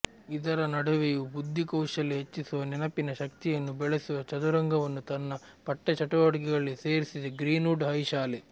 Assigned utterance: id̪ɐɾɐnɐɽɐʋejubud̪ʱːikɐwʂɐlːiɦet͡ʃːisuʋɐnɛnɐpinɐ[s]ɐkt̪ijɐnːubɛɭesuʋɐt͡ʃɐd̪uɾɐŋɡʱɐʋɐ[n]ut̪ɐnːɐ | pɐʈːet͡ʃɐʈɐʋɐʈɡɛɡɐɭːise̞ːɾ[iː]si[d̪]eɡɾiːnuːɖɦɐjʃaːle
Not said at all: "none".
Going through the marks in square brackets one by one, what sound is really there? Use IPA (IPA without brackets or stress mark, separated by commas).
ʃ, nː, i, d̪